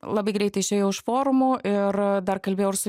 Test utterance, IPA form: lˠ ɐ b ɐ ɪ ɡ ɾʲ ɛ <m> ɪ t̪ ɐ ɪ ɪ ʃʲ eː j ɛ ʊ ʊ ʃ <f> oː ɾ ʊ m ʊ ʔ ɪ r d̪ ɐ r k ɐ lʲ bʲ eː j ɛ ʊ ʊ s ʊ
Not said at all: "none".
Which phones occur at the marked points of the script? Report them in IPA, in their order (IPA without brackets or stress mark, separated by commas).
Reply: none, f